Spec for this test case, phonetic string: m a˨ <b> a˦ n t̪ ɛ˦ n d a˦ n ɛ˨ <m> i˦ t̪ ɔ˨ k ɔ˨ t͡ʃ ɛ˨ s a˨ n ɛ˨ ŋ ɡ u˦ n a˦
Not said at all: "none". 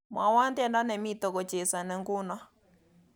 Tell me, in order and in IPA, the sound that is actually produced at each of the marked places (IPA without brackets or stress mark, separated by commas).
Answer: w, m